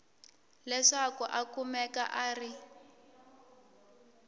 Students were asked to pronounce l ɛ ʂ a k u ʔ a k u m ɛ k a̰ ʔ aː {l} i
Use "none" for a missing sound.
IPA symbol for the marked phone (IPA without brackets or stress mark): r